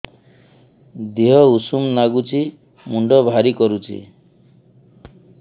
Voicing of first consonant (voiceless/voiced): voiced